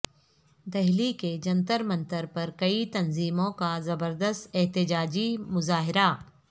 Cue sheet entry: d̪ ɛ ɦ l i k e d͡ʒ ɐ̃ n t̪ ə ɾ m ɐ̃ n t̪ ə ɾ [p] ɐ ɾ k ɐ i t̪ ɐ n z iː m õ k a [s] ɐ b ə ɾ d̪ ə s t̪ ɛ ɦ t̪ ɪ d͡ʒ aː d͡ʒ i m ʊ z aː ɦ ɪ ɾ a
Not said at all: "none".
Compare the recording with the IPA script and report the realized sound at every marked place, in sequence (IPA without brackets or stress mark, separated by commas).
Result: p, z